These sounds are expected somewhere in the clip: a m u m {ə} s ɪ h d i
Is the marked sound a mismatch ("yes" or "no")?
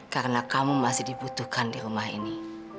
yes